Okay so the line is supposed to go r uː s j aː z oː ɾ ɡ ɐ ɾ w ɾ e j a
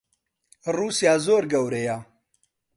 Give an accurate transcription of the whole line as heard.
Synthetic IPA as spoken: r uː s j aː z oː ɾ ɡ ɐ w ɾ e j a